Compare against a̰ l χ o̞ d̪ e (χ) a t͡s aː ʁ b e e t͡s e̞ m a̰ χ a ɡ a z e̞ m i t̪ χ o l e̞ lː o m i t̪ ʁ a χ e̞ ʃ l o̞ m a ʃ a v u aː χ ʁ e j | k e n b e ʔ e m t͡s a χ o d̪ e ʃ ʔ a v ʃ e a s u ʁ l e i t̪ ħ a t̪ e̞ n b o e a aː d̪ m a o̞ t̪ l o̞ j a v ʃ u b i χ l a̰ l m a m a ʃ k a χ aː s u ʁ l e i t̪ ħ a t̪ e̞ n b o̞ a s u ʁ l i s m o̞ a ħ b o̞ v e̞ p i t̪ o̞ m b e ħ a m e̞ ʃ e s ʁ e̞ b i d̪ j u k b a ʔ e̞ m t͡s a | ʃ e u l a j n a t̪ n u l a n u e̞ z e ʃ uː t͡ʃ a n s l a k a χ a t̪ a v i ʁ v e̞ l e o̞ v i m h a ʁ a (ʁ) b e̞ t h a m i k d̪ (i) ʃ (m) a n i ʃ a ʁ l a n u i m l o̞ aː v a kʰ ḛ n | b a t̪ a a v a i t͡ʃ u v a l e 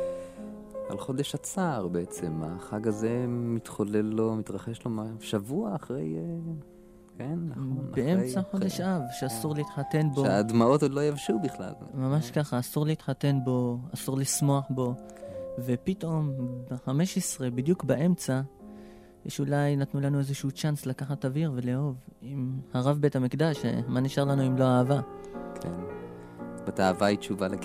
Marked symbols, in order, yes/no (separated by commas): no, no, no, yes